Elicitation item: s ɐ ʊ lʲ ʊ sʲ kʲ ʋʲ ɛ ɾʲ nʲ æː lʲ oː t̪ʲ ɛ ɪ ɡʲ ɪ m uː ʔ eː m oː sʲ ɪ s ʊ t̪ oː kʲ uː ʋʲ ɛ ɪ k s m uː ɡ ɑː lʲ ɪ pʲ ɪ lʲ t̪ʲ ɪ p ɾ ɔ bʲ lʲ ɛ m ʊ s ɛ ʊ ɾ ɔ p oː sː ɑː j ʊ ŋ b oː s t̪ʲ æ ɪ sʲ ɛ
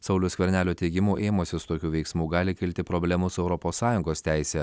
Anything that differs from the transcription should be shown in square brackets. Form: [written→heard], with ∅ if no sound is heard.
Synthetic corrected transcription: s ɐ ʊ lʲ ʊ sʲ kʲ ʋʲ ɛ ɾʲ nʲ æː lʲ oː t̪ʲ ɛ ɪ ɡʲ ɪ m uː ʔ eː m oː sʲ ɪ s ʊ t̪ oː kʲ uː ʋʲ ɛ ɪ k s m uː ɡ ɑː lʲ ɪ [pʲ→kʲ] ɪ lʲ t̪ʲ ɪ p ɾ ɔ bʲ lʲ ɛ m ʊ s ɛ ʊ ɾ ɔ p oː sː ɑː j ʊ ŋ [b→ɡ] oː s t̪ʲ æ ɪ sʲ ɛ